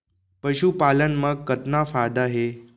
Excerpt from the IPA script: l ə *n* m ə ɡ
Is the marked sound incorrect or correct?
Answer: correct